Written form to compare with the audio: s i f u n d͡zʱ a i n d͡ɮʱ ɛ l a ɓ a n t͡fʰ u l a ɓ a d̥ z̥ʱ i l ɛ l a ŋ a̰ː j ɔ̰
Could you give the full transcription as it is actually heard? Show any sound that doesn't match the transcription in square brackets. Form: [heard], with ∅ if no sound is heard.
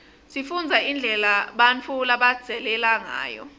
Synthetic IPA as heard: s i f u n d͡zʱ a i n d͡ɮʱ ɛ l a ɓ a n t͡fʰ u l a ɓ a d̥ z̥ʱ [ɛ] l ɛ l a ŋ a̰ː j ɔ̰